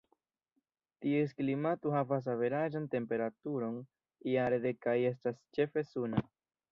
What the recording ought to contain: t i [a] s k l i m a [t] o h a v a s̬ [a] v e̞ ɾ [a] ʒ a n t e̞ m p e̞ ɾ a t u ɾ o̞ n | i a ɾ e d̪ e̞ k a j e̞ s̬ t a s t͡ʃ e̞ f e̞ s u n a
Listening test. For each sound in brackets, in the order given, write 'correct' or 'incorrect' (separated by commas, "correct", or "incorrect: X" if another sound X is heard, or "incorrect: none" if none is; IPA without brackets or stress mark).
incorrect: e, correct, correct, correct